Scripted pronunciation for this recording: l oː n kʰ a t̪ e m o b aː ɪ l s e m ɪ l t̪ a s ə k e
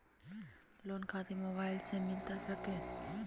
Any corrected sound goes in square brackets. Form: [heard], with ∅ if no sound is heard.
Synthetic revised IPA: l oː n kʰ a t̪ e m o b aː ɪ l s e m ɪ l t̪ a s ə k e